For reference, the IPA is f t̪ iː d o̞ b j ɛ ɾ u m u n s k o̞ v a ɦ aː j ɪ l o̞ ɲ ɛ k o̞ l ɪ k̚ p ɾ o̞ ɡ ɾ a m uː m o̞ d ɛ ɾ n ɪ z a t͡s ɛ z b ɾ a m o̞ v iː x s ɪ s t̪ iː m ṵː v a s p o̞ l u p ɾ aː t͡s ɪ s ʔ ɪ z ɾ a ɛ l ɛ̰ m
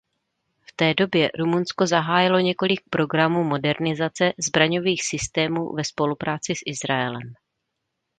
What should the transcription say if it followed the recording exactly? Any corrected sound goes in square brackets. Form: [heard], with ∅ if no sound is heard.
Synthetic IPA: f t̪ [ɛː] d o̞ b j ɛ ɾ u m u n s k o̞ [z] a ɦ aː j ɪ l o̞ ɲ ɛ k o̞ l ɪ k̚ p ɾ o̞ ɡ ɾ a m uː m o̞ d ɛ ɾ n ɪ z a t͡s ɛ z b ɾ a [ɲ] o̞ v iː x s ɪ s t̪ [ɛː] m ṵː v [ɛ] s p o̞ l u p ɾ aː t͡s ɪ s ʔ ɪ z ɾ a ɛ l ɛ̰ m